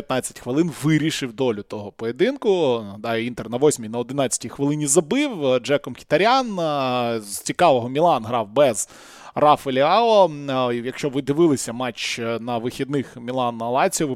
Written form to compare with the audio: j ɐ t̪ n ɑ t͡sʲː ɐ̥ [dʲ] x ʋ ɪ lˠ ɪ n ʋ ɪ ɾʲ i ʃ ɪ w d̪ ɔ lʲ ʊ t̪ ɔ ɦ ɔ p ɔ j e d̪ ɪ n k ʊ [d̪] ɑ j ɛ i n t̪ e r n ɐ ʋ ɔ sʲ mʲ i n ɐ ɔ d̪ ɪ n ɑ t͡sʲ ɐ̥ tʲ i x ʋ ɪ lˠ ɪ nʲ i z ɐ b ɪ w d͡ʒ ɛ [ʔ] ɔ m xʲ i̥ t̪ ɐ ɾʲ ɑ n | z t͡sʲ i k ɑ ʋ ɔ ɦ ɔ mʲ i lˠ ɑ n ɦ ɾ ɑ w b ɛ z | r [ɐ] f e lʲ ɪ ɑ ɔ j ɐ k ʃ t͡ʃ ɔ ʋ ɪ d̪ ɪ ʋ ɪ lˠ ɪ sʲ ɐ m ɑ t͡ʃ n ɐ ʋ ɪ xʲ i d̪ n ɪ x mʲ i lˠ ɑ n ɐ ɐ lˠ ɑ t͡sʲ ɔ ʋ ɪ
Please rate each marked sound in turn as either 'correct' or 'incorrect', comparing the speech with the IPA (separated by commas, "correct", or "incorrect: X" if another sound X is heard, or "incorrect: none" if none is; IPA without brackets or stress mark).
incorrect: tʲ, correct, incorrect: k, incorrect: ɑ